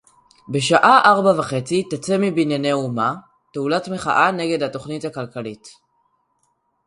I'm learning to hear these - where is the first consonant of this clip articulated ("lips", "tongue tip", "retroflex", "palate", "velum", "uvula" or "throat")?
lips